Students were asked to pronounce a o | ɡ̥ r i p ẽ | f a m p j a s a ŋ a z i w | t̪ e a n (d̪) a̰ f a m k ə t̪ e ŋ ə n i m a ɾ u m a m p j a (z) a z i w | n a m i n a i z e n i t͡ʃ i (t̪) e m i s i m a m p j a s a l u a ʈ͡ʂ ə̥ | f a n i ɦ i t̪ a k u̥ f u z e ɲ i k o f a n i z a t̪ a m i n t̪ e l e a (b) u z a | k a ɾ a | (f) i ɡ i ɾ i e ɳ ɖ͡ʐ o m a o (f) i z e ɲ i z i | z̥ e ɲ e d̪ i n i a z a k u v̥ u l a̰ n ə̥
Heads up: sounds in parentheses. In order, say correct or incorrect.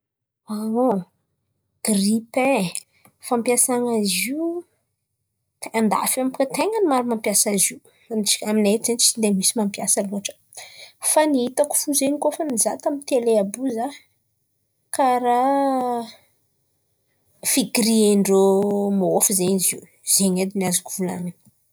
correct, incorrect: s, incorrect: d̪, correct, correct, correct

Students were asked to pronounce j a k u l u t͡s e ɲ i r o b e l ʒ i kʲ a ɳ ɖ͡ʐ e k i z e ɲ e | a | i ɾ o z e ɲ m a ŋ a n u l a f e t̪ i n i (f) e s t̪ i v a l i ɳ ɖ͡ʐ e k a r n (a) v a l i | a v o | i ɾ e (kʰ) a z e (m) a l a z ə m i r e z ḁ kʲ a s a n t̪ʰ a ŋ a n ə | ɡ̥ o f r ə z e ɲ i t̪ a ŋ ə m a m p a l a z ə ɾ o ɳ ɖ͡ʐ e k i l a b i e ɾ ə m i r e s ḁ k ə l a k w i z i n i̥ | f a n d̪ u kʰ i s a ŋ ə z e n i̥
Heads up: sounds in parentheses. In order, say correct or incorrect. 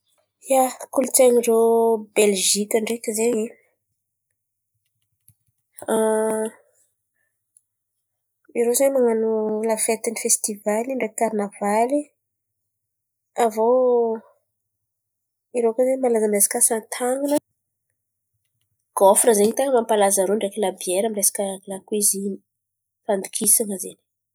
correct, correct, incorrect: k, correct

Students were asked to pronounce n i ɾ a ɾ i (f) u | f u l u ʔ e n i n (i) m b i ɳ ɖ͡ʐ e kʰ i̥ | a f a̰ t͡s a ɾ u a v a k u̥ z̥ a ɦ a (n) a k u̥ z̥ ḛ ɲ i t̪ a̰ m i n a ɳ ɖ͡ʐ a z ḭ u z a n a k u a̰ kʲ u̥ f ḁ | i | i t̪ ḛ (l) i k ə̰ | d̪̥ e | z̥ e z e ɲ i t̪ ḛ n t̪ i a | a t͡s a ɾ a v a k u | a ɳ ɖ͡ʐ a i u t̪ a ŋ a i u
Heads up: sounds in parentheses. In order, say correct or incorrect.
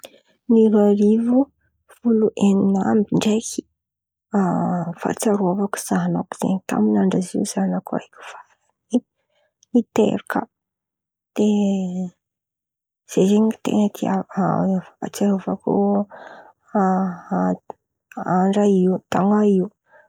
incorrect: v, incorrect: a, correct, incorrect: ɾ

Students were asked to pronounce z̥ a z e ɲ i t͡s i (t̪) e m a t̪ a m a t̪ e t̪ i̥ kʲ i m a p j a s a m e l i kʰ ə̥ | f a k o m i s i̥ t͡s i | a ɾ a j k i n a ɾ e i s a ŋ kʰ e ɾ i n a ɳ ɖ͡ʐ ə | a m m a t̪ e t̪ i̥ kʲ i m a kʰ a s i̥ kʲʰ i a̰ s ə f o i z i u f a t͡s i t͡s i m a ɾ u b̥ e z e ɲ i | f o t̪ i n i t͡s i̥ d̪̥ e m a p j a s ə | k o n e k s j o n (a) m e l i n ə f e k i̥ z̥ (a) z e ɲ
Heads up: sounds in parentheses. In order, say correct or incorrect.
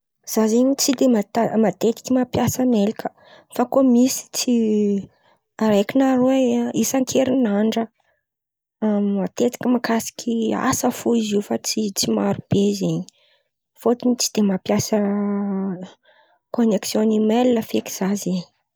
incorrect: d̪, incorrect: i, correct

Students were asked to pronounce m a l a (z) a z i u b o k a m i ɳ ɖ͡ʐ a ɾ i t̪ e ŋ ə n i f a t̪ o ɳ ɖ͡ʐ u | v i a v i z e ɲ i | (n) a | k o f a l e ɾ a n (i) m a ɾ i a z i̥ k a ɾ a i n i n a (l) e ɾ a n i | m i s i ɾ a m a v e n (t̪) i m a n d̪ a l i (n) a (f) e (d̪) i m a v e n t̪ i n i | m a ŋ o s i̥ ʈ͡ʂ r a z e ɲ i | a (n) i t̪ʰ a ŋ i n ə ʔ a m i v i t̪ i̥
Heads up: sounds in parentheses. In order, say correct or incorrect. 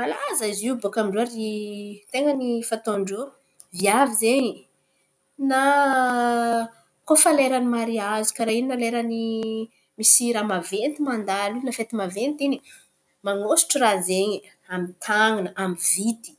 correct, correct, correct, correct, correct, correct, correct, incorrect: t̪, incorrect: m

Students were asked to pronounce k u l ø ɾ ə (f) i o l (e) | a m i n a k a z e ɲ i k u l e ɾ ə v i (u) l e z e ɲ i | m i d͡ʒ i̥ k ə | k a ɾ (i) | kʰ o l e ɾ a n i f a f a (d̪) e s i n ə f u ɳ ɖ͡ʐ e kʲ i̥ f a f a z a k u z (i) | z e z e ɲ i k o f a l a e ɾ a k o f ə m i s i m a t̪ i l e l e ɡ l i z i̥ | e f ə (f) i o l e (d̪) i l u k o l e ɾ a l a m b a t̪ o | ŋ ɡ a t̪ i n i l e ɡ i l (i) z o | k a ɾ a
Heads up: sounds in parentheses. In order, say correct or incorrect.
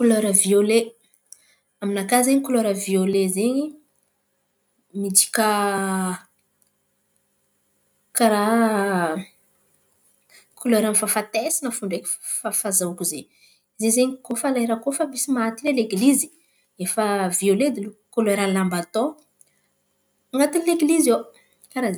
incorrect: v, correct, incorrect: o, incorrect: a, incorrect: t̪, incorrect: e, incorrect: v, correct, correct

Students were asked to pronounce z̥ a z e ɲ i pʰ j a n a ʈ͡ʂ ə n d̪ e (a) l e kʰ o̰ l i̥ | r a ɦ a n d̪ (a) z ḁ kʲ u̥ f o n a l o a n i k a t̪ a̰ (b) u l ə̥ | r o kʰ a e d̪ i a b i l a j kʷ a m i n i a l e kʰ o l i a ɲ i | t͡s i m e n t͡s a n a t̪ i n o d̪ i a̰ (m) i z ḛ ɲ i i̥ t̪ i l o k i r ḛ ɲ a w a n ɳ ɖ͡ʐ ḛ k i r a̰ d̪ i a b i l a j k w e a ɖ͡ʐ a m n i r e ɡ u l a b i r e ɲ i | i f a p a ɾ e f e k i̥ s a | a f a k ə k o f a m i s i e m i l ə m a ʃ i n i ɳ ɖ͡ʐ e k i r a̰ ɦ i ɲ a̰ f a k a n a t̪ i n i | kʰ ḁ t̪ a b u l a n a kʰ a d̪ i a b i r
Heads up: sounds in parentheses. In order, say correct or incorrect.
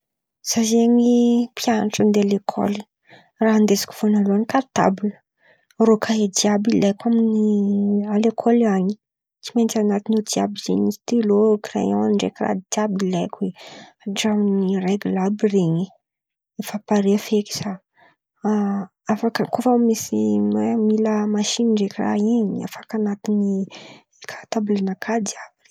correct, incorrect: e, correct, incorrect: b

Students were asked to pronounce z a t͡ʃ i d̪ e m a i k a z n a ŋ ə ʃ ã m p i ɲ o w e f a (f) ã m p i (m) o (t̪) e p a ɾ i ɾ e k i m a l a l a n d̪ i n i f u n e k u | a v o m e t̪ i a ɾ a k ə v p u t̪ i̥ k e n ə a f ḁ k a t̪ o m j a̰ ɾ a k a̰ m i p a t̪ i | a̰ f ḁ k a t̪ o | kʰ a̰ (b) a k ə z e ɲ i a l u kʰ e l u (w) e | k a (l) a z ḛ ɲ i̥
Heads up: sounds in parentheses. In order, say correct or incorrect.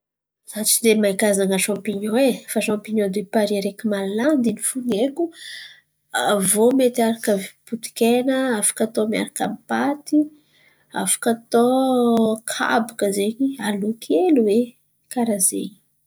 incorrect: ʃ, incorrect: ɲ, incorrect: d̪, correct, correct, incorrect: ɾ

